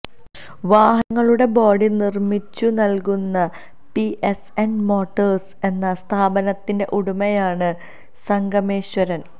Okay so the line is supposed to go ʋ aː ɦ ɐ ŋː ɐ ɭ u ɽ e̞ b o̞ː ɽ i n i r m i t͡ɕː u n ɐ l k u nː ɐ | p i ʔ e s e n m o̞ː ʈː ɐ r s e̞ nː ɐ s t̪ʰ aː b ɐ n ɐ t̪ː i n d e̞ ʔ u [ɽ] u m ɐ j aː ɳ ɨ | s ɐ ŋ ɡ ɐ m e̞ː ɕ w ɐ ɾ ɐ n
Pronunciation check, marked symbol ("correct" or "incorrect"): correct